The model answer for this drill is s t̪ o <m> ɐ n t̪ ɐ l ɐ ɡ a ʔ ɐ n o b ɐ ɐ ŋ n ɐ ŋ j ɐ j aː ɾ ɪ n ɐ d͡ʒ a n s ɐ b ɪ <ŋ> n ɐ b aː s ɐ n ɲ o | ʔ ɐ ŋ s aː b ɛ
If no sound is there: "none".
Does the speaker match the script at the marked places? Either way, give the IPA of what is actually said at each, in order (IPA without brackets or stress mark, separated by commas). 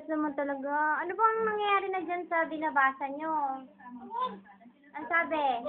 m, none